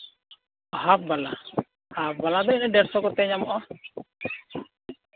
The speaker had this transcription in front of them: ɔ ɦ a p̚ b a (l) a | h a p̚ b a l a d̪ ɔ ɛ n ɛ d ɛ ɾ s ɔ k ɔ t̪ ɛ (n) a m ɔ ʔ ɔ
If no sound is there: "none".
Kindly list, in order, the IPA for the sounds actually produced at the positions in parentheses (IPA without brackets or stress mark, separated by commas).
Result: l, ɲ